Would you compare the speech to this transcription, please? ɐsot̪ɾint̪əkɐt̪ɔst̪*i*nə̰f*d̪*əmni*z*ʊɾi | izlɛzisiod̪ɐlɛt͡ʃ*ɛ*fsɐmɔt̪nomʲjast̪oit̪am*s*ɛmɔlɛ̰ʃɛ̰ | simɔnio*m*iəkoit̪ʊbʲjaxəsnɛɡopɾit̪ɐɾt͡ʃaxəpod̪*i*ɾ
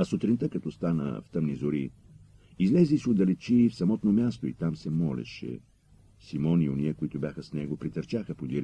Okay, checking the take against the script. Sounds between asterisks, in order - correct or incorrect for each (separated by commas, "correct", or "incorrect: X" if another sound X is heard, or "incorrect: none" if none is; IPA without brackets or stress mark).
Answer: incorrect: a, incorrect: t̪, correct, incorrect: i, correct, incorrect: n, correct